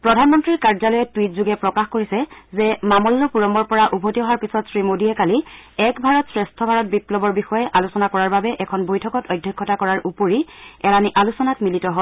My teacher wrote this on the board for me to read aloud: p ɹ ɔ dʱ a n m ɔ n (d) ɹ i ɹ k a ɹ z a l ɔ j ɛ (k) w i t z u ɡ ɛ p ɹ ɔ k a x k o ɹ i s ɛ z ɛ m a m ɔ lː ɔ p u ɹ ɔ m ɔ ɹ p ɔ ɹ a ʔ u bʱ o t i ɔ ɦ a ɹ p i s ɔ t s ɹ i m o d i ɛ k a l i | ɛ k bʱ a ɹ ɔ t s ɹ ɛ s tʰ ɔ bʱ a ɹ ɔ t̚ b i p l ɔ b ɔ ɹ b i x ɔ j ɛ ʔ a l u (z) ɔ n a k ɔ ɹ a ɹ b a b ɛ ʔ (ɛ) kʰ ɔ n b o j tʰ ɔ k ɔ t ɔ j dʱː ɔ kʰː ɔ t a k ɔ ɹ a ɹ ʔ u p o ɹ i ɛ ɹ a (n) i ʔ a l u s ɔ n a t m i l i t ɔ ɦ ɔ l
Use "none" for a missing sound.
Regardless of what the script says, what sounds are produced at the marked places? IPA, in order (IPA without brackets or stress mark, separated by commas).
t, t, s, ɛ, n